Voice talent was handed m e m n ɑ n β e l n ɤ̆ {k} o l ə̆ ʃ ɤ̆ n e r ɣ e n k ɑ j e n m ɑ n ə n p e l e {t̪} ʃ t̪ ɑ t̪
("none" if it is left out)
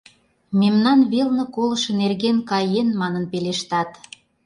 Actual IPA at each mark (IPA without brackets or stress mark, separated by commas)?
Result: k, none